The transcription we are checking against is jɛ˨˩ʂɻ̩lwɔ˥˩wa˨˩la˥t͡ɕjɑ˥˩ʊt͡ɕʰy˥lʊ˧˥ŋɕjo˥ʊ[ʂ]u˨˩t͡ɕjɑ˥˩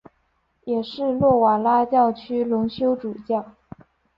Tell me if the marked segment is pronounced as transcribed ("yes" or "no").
no